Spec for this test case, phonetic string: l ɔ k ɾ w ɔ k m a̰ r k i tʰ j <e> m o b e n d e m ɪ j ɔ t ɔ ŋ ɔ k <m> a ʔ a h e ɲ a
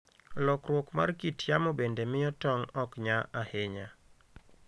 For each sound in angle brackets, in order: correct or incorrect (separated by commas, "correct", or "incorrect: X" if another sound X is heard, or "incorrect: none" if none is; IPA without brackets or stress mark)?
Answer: incorrect: a, incorrect: ɲ